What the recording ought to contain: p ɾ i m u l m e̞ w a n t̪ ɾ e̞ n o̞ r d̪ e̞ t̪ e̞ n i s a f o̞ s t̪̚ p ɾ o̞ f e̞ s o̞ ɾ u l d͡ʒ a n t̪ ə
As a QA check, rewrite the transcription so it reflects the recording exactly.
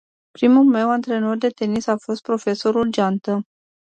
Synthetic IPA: p ɾ i m u l m e̞ w a n t̪ ɾ e̞ n o̞ r d̪ e̞ t̪ e̞ n i s a f o̞ s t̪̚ p ɾ o̞ f e̞ s o̞ ɾ u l d͡ʒ a n t̪ ə